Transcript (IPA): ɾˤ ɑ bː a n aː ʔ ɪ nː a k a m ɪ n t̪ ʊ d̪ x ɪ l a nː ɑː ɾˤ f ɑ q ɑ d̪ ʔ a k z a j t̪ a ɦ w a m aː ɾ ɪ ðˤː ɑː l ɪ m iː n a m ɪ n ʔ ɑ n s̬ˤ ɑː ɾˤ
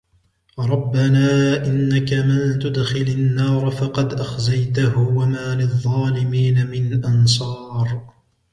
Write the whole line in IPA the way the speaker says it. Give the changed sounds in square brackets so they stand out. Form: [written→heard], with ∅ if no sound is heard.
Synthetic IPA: ɾˤ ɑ bː a n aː ʔ ɪ nː a k a m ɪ n t̪ ʊ d̪ x ɪ l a nː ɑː ɾˤ f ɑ q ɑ d̪ ʔ a [k→x] z a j t̪ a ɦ w a m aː [ɾ→l] ɪ ðˤː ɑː l ɪ m iː n a m ɪ n ʔ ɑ n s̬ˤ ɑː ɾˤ